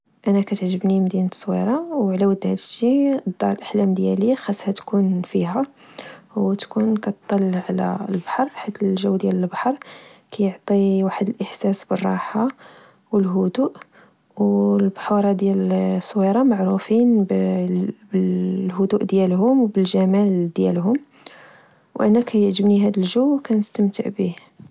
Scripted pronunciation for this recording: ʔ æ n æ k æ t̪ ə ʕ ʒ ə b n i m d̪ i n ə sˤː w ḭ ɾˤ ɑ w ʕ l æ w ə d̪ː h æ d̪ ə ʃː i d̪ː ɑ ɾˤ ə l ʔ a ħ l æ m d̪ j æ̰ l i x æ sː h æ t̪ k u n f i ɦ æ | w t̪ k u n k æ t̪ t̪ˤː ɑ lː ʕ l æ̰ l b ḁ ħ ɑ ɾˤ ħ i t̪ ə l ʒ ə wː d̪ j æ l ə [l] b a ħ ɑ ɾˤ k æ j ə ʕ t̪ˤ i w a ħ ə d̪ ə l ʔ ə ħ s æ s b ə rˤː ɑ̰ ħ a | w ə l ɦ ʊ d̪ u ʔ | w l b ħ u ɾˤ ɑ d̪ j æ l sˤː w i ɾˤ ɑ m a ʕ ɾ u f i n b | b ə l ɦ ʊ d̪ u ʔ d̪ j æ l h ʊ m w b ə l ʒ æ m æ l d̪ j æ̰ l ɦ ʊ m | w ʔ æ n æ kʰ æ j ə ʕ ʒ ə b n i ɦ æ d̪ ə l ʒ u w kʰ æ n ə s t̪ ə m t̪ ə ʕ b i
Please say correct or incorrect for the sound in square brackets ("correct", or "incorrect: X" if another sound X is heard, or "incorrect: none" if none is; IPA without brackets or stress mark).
correct